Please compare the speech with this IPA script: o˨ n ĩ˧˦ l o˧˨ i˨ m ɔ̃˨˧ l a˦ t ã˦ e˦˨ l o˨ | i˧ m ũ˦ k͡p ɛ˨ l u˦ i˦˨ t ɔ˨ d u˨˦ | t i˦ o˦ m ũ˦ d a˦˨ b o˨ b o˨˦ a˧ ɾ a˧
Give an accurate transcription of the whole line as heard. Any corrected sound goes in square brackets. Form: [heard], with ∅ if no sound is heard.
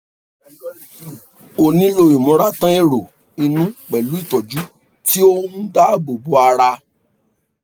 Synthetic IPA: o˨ n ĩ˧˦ l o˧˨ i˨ m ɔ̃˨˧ [ɾ] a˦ t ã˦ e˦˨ [ɾ] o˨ | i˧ [n] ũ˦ k͡p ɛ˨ l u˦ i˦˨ t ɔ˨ [d͡ʒ] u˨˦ | t i˦ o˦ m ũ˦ d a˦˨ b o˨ b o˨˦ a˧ ɾ a˧